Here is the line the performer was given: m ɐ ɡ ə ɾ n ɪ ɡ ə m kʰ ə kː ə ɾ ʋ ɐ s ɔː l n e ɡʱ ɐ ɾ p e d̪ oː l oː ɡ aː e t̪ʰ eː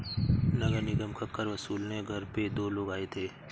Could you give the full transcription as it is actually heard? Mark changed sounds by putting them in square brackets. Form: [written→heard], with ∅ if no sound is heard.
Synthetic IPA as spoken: [m→n] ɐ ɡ ə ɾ n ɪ ɡ ə m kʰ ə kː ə ɾ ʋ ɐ s [ɔː→uː] l n e ɡʱ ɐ ɾ p e d̪ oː l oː ɡ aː e t̪ʰ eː